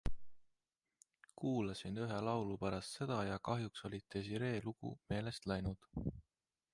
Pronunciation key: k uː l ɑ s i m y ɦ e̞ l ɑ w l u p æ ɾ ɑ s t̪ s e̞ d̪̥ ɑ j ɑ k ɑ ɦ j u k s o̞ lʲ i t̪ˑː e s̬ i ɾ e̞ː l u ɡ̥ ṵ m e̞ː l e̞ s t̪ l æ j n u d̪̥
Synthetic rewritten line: k uː l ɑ s i n y ɦ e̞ l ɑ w l u p æ ɾ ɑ s t̪ s e̞ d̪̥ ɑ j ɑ k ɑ ɦ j u k s o̞ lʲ i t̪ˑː e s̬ i ɾ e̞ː l u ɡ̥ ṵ m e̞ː l e̞ s t̪ l æ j n u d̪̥

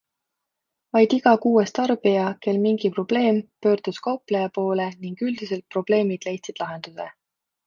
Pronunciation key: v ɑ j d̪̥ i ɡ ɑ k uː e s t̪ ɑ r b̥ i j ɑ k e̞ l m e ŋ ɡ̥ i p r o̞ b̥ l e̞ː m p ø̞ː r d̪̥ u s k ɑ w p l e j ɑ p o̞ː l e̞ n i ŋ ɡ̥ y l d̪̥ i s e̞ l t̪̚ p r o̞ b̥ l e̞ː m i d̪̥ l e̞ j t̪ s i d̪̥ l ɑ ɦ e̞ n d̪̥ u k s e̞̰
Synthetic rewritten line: v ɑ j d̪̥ i ɡ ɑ k uː e s t̪ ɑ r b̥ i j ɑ k e̞ l m i ŋ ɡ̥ i p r o̞ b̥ l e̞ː m p ø̞ː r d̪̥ u s k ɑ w p l e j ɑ p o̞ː l e̞ n i ŋ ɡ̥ y l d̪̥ i s e̞ l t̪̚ p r o̞ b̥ l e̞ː m i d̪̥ l e̞ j t̪ s i d̪̥ l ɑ ɦ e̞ n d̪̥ u s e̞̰

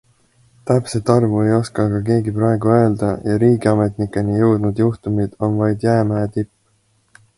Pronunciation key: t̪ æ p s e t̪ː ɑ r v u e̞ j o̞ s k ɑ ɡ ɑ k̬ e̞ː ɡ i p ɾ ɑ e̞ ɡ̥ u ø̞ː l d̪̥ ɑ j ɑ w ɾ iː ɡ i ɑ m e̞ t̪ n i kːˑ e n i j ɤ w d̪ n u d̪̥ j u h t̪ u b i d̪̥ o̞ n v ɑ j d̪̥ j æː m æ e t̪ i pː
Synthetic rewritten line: t̪ æ p s e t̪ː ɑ r v u e̞ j o̞ s k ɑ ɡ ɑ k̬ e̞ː ɡ i p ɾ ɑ e̞ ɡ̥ u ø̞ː l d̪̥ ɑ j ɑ ɾ iː ɡ i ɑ m e̞ t̪ n i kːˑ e n i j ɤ w d̪ n u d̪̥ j u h t̪ u m i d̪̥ o̞ n v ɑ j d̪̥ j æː m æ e t̪ i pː

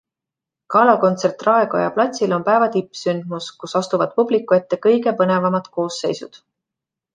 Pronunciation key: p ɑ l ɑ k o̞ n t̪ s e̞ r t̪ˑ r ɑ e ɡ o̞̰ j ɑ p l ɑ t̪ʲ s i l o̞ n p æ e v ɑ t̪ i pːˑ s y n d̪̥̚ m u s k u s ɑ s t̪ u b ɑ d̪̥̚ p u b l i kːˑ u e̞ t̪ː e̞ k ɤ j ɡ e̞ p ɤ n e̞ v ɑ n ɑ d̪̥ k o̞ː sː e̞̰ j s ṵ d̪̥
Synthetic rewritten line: k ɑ l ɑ k o̞ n t̪ s e̞ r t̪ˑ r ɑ e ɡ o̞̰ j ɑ p l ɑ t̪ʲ s i l o̞ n p æ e v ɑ t̪ i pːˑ s y n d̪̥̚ m u s k u s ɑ s t̪ u v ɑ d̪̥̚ p u b l i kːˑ u e̞ t̪ː e̞ k ɤ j ɡ e̞ p ɤ n e̞ v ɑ m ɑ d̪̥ k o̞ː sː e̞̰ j s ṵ d̪̥

